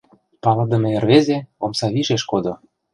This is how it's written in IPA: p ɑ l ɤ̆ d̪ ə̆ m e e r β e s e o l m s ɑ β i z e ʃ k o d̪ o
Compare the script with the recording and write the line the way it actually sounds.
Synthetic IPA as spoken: p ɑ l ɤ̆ d̪ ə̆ m e e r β e z e o m s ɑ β i ʒ e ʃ k o d̪ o